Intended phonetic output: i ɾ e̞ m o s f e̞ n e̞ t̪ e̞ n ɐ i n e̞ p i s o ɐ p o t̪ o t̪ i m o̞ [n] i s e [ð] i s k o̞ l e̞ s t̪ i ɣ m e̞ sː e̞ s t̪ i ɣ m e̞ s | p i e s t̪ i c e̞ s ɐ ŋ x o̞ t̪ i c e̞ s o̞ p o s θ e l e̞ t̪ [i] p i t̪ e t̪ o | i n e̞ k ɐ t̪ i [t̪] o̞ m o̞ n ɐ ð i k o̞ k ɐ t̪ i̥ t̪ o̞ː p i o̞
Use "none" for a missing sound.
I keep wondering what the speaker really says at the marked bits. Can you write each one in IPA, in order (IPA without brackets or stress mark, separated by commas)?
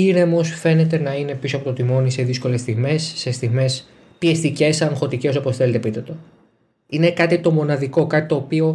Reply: n, ð, e, t̪